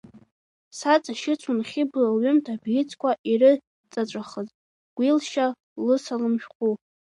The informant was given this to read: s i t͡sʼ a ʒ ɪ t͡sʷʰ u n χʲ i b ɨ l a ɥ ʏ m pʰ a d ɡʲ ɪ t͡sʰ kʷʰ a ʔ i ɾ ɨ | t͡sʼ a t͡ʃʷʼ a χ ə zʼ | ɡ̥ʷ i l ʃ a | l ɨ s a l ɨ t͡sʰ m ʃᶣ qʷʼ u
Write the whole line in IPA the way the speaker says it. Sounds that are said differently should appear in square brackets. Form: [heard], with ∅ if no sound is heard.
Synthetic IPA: s [a] t͡sʼ a [ʃ] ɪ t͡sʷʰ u n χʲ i b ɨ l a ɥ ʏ m [tʰ] a [b] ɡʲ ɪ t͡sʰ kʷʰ a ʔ i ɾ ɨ | t͡sʼ a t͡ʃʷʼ a χ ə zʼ | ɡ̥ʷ i l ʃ a | l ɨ s a l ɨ [∅] m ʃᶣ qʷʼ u